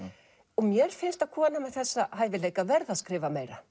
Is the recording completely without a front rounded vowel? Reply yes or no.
yes